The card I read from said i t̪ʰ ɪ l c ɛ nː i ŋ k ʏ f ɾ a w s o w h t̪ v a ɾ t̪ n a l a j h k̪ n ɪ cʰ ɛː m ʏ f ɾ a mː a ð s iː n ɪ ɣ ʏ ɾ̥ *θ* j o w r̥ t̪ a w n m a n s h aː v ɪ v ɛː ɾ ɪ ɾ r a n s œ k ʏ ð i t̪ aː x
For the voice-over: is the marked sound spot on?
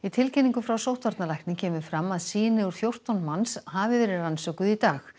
yes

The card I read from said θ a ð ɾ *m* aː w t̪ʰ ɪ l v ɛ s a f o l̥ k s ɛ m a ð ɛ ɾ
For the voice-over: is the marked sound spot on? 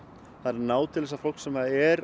no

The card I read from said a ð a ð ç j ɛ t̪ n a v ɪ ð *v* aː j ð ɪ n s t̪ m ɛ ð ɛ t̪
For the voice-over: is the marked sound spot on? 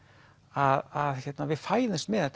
no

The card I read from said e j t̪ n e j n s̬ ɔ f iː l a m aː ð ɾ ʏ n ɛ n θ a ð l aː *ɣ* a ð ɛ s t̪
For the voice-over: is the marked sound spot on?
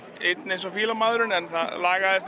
yes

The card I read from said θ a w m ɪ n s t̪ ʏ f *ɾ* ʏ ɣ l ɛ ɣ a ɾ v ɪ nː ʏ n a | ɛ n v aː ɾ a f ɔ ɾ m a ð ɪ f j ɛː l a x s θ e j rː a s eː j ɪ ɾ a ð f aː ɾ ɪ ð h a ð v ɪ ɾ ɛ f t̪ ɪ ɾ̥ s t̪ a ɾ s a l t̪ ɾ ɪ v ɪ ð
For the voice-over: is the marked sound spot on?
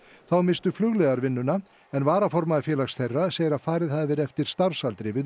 no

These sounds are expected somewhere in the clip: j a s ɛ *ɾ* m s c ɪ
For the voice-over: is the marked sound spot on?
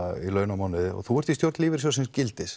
no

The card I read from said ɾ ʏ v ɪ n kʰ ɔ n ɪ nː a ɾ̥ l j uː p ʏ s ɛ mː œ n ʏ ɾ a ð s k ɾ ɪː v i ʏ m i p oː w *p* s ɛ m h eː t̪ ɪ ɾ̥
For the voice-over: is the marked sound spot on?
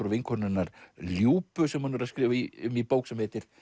no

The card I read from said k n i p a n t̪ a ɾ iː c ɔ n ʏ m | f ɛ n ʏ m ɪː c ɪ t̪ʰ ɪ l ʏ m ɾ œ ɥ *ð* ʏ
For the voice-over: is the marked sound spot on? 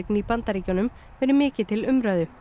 yes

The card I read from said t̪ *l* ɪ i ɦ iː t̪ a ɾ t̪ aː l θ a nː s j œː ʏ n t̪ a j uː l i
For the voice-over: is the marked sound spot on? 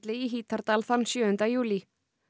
yes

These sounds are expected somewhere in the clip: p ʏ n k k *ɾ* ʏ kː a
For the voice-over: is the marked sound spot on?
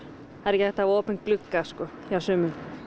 no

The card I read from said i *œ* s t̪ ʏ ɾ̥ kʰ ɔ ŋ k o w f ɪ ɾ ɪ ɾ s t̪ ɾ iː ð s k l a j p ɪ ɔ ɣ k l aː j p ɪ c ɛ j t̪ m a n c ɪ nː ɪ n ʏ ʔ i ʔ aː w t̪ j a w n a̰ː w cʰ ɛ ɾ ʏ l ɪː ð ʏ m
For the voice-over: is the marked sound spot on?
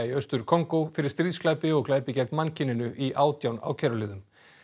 yes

